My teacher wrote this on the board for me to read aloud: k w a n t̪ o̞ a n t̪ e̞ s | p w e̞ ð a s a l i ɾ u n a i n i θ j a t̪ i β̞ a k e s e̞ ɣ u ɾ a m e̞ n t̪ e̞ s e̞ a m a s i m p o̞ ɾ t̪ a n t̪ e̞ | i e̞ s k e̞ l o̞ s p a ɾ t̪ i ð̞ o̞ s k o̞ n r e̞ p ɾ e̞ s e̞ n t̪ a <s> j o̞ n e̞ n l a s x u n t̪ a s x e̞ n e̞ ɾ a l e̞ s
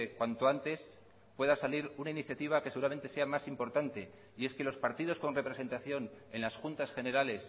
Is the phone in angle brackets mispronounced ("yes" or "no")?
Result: yes